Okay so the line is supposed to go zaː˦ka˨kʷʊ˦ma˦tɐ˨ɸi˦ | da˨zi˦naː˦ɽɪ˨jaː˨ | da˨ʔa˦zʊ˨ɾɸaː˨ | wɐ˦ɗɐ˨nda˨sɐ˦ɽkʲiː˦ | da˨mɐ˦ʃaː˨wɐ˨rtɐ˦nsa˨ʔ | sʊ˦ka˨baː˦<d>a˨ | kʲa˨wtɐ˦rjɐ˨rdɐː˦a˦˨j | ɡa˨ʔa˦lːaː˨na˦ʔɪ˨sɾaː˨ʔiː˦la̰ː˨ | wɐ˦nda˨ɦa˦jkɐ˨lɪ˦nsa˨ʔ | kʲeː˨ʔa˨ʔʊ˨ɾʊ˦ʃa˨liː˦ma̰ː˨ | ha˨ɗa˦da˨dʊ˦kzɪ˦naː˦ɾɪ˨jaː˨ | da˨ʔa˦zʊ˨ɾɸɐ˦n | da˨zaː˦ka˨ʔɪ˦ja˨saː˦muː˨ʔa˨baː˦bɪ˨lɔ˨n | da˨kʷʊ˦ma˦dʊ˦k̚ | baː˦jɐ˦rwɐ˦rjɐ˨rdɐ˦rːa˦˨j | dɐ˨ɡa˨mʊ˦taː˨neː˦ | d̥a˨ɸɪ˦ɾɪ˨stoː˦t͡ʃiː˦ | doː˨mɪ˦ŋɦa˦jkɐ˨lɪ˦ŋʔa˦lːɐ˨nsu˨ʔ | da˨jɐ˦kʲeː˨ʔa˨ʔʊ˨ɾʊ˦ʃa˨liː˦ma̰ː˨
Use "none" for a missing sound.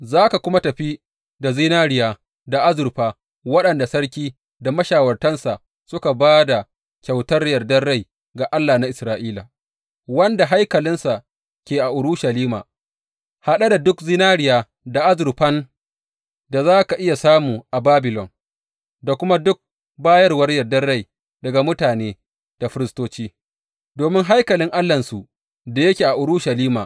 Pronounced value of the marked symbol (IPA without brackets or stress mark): d